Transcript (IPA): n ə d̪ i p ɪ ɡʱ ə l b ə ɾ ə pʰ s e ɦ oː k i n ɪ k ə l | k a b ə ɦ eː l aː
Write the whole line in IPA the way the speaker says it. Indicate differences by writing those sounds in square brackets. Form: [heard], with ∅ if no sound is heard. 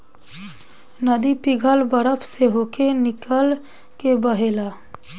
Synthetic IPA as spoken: n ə d̪ i p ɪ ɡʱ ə l b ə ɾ ə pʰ s e ɦ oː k [e] n ɪ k ə l | k [e] b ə ɦ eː l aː